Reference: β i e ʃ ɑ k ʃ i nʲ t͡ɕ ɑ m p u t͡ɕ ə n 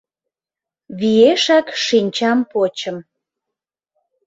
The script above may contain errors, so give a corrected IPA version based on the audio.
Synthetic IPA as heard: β i e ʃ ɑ k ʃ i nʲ t͡ɕ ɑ m p o t͡ɕ ə m